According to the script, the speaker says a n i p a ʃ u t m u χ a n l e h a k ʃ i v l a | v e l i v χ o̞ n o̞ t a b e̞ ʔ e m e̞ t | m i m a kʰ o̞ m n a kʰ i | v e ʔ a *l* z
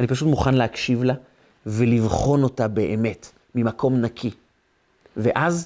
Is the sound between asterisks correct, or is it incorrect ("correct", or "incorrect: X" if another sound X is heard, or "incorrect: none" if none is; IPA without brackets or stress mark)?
incorrect: none